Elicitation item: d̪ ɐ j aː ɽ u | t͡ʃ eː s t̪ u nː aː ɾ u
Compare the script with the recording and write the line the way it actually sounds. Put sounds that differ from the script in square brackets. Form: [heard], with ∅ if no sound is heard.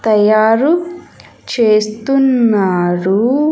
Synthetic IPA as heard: [t̪] ɐ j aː [ɾ] u | t͡ʃ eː s t̪ u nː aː ɾ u